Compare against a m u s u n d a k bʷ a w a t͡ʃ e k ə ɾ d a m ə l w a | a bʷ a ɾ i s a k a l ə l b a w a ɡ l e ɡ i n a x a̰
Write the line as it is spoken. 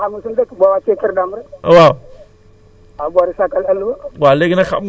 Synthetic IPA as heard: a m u s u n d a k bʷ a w a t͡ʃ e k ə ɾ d a m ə ɾ w a | a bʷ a ɾ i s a k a l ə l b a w a l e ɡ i n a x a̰

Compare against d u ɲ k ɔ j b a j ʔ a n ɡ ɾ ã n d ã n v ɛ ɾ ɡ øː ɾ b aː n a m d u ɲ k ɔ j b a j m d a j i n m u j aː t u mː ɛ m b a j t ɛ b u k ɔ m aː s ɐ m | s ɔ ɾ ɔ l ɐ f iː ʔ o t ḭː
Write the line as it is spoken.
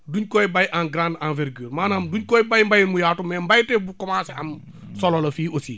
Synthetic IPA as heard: d u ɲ k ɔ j b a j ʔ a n ɡ ɾ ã n d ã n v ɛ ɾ ɡ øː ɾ m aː n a m d u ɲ k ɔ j b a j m b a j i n m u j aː t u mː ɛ m b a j t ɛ b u k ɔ m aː s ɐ m | s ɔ l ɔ l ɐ f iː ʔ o s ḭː

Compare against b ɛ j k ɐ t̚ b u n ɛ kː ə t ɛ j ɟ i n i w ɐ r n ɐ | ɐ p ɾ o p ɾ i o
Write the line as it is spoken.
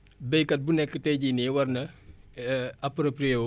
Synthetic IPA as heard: b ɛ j k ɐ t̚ b u n ɛ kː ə t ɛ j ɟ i n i w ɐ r n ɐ | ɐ p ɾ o p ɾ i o

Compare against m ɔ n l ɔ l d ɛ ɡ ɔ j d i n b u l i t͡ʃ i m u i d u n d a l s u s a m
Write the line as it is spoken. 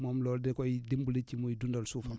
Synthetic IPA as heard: m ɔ m l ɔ l d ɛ k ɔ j d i m b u l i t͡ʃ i m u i d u n d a l s u f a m

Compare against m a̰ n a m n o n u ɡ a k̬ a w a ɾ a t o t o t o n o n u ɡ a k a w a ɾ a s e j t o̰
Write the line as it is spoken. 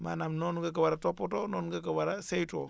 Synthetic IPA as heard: m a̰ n a m n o n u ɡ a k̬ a w a ɾ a t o p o t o n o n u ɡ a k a w a ɾ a s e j t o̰

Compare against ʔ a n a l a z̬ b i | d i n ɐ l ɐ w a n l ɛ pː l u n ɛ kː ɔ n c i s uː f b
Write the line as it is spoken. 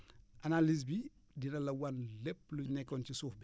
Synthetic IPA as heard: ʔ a n a l i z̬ b i | d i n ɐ l ɐ w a n l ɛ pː l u n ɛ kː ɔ n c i s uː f b

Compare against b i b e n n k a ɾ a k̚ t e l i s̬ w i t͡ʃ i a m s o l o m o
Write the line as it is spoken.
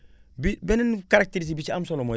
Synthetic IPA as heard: b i b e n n k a ɾ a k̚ t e ɾ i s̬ b i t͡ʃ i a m s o l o m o

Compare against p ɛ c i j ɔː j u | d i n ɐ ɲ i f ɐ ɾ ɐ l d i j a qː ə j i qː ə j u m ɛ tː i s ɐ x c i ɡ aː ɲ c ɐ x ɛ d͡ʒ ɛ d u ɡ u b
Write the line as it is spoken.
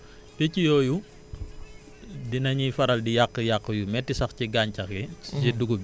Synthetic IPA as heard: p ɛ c i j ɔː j u | d i n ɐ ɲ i f ɐ ɾ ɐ l d i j a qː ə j a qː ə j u m ɛ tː i s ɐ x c i ɡ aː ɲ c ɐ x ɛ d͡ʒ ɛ d u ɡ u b

